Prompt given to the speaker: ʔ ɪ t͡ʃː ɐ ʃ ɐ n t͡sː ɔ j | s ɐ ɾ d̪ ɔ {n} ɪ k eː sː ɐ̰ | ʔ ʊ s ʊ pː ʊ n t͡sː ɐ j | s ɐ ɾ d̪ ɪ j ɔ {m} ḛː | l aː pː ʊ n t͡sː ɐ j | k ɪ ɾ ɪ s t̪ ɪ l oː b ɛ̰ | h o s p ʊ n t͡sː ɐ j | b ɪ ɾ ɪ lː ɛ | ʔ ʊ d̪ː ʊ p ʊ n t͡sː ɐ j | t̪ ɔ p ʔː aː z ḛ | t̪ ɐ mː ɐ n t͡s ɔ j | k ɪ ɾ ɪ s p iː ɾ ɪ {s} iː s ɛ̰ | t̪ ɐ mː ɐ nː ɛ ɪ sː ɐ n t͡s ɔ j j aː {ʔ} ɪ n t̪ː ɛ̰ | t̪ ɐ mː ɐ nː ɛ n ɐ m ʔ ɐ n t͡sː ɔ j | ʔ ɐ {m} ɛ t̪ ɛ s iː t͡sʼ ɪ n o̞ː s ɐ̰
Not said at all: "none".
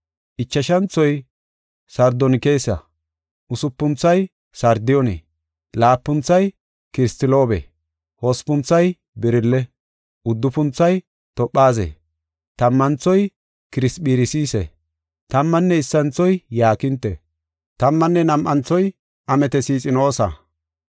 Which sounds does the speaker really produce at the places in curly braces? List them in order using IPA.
n, n, s, k, m

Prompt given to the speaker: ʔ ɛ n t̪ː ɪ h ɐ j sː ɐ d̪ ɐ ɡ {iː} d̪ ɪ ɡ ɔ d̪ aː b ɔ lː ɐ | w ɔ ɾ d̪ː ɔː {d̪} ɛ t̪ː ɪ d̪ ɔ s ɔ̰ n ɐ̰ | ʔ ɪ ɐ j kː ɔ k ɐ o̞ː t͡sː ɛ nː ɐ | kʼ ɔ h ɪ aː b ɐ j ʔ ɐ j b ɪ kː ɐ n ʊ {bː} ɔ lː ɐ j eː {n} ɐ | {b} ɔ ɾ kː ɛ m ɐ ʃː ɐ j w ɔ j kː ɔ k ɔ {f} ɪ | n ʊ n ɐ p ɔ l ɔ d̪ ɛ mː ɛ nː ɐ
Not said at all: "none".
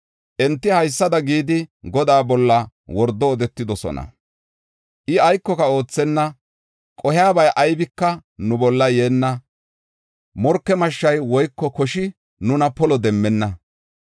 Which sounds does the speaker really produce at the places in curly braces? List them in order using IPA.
iː, d̪, b, nː, m, ʃ

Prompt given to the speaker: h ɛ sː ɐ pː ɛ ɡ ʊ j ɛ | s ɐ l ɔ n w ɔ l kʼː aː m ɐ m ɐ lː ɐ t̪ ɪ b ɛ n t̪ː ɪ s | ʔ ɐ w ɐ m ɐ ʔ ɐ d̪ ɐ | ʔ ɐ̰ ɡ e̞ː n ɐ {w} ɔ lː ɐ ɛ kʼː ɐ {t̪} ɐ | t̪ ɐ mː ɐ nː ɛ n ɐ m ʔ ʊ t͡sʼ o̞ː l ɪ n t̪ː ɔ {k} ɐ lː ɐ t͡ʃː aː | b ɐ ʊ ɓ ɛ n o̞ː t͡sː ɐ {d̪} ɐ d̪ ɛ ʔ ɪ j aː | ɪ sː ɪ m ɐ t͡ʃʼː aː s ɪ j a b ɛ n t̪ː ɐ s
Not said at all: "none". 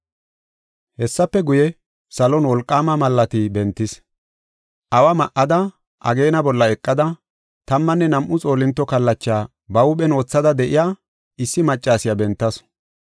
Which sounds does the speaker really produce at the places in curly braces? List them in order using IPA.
b, d̪, k, d̪

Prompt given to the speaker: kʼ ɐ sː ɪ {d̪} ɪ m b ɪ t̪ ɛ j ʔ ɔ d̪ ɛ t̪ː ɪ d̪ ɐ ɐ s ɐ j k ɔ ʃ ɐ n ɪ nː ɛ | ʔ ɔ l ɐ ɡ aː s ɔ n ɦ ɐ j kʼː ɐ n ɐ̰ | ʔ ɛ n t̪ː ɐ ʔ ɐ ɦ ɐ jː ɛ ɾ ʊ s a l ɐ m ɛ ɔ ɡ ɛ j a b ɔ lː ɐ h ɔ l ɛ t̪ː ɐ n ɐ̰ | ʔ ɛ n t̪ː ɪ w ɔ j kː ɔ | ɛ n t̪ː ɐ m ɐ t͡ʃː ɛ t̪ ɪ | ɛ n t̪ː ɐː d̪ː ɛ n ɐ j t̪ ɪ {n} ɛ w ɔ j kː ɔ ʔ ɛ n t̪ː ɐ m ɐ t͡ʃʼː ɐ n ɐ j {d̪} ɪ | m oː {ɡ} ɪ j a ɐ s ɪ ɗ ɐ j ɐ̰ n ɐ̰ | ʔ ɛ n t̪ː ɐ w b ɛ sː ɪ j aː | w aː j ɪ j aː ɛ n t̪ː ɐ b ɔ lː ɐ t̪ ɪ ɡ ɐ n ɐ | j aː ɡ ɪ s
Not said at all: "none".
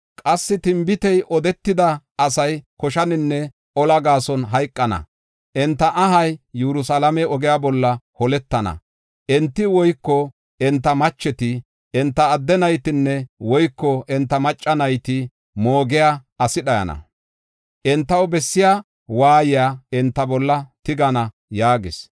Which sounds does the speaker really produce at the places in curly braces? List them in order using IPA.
t̪, nː, t̪, ɡ

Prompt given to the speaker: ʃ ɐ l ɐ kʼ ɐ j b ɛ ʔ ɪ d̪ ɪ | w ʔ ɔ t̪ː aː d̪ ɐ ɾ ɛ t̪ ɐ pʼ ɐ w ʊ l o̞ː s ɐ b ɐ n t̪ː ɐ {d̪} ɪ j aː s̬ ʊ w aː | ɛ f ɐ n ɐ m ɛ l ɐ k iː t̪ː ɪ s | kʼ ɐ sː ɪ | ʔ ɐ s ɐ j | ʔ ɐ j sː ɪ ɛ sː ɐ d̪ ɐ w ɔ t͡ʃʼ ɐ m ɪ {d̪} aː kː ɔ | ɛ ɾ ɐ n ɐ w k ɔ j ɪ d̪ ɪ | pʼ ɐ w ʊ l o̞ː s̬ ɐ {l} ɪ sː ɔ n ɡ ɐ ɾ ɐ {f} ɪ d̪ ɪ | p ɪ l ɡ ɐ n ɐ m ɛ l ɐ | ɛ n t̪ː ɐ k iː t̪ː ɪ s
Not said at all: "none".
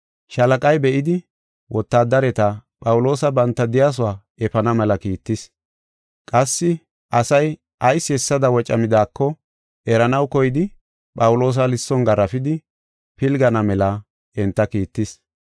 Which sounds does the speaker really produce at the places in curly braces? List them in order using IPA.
d̪, d̪, l, f

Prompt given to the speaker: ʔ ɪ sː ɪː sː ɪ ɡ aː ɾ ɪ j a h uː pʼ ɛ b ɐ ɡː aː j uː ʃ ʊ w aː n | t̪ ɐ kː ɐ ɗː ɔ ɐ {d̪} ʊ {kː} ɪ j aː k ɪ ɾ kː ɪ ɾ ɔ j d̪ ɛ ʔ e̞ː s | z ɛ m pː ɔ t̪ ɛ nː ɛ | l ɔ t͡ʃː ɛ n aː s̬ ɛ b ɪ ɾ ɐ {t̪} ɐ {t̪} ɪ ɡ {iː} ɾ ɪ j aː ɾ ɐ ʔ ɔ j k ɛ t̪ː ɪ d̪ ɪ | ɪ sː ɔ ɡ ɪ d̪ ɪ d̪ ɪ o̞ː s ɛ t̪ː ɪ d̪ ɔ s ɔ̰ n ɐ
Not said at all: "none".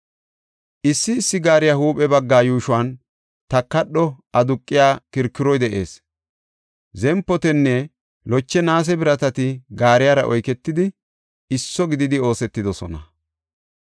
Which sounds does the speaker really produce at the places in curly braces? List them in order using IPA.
d̪, kʼː, t̪, t̪, aː

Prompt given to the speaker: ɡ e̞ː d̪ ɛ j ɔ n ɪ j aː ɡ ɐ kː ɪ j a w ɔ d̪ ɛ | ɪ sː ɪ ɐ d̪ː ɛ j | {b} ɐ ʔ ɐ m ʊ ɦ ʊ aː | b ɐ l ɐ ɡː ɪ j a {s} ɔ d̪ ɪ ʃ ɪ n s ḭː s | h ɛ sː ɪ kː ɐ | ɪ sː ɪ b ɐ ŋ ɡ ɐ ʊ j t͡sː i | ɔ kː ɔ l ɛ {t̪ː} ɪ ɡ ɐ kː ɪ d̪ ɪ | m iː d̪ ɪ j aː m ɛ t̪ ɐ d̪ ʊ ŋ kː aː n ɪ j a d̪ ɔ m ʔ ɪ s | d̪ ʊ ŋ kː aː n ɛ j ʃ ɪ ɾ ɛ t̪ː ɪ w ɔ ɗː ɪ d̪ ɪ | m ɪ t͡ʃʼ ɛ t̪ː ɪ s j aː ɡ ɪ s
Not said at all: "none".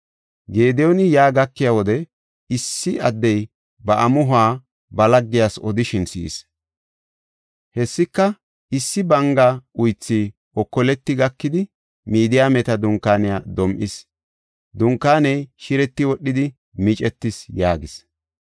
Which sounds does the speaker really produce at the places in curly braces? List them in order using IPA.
b, s, t̪ː

